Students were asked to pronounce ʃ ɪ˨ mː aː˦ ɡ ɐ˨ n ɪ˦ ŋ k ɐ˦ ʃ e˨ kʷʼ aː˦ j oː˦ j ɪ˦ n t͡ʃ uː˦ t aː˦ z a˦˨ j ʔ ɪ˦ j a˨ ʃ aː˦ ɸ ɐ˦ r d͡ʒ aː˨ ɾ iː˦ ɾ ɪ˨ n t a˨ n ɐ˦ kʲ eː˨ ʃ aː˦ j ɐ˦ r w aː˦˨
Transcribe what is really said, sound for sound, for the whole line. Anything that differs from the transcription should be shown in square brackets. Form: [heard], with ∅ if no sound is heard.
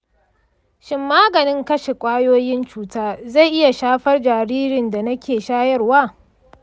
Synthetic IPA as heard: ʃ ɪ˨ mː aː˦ ɡ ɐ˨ n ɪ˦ ŋ k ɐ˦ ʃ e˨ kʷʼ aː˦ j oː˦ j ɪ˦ n t͡ʃ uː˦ t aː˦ z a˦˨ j ʔ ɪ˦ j a˨ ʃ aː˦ ɸ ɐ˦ r d͡ʒ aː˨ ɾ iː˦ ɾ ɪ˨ n [d] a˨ n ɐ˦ kʲ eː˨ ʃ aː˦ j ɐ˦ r w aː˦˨